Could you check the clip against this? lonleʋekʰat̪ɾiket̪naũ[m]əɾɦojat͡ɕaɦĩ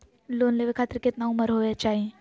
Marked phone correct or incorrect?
correct